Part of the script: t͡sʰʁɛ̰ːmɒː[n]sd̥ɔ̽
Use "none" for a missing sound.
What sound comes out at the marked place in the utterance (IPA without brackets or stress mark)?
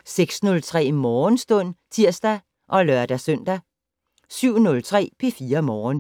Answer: n